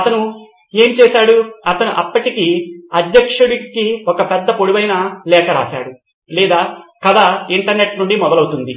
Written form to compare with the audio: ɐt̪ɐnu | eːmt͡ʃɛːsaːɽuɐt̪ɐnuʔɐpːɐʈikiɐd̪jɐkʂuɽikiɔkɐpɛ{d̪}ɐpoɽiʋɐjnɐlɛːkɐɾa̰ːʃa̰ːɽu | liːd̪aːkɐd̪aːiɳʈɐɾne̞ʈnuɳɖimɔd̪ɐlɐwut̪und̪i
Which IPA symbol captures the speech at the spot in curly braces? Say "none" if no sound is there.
d̪ː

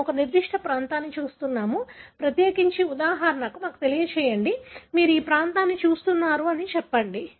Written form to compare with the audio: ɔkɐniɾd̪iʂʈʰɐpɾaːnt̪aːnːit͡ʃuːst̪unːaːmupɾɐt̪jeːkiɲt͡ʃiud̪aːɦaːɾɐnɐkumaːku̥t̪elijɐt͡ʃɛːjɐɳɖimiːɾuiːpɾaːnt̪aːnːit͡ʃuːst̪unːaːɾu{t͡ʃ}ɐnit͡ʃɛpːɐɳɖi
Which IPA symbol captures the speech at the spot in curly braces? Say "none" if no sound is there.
none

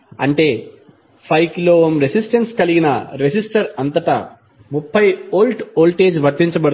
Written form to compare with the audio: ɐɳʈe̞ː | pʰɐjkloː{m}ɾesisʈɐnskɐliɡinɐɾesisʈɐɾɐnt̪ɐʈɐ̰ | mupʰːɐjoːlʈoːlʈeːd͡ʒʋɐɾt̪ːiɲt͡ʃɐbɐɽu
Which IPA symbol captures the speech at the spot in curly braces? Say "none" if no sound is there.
m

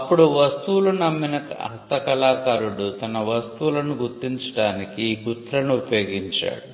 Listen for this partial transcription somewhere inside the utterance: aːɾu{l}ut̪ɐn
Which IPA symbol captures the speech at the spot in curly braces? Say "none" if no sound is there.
ɽ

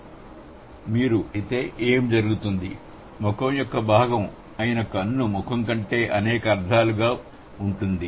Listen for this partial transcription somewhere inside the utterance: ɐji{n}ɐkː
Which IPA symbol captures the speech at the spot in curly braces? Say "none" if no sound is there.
n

